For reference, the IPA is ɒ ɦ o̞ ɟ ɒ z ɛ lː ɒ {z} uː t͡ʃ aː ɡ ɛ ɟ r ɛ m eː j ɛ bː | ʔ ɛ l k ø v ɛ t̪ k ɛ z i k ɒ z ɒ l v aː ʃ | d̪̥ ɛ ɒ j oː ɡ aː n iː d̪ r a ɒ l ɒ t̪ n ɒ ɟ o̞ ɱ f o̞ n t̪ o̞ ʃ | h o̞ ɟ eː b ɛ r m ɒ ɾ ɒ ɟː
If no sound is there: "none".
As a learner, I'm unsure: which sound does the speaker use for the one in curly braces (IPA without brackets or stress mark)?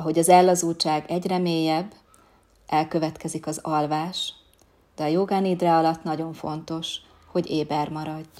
z